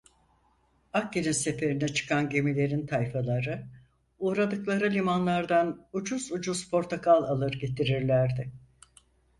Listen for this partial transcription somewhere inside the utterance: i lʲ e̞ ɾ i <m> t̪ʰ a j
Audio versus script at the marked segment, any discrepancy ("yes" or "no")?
yes